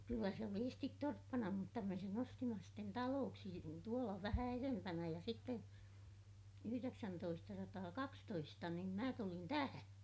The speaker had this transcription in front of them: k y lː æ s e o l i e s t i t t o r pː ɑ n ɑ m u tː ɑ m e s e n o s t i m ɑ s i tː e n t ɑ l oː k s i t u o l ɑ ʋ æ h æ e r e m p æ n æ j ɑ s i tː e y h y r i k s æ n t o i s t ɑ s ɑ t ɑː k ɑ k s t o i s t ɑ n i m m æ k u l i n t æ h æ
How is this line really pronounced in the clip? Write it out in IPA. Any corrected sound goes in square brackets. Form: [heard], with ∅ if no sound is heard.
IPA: k y lː æ s e o l i e s t i t t o r pː ɑ n ɑ m u tː ɑ m e s e n o s t i m ɑ s i tː e n t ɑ l oː k s i t u o l ɑ ʋ æ h æ e r e m p æ n æ j ɑ s i tː e y h y r [e] k s æ n t o i s t ɑ s ɑ t ɑː k ɑ k s t o i s t ɑ n i m m æ [t] u l i n t æ h æ